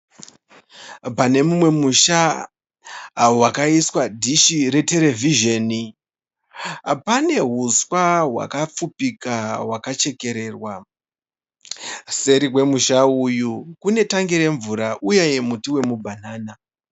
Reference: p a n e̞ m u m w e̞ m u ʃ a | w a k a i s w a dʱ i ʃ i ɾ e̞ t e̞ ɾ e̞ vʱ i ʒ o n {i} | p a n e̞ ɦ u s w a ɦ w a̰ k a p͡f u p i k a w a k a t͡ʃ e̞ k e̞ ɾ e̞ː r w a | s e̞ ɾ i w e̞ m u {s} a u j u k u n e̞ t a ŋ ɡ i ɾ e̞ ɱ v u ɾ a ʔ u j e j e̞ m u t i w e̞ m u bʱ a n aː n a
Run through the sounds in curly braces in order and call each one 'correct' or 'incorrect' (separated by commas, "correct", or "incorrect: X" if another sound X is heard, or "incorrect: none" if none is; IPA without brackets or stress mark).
correct, incorrect: ʃ